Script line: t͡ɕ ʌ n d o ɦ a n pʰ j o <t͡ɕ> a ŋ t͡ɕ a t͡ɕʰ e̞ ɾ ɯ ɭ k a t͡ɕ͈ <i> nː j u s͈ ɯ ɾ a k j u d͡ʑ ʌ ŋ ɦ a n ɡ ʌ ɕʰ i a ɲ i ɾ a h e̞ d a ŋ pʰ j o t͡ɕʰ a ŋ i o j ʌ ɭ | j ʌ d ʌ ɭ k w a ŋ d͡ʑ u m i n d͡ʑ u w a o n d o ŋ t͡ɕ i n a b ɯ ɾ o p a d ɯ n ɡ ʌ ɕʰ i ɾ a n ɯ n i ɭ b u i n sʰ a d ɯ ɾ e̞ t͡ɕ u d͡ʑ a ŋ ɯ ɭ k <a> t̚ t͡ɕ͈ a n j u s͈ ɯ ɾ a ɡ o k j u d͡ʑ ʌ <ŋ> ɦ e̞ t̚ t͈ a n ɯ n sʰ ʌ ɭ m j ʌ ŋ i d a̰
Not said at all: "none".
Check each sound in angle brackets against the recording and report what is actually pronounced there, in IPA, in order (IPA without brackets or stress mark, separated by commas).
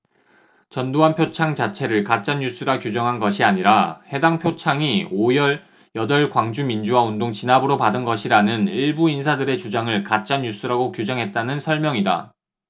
t͡ɕʰ, a, a, ŋ